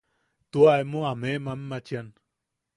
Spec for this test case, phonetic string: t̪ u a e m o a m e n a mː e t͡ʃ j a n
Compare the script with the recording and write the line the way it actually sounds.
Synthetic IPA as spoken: t̪ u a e m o a m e m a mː a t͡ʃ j a n